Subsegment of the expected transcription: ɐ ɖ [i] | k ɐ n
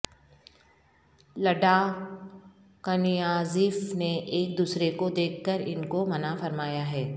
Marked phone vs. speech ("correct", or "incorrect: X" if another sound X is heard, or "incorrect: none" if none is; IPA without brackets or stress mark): incorrect: a